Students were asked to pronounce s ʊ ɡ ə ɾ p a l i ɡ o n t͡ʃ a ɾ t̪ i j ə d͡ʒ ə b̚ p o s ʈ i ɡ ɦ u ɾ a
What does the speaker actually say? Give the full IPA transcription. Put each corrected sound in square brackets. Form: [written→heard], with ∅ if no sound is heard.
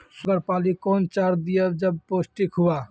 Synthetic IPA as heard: s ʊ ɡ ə ɾ p a l i [ɡ→k] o n t͡ʃ a ɾ [t̪→d̪] i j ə d͡ʒ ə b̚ p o s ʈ i [ɡ→k] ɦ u [ɾ→∅] a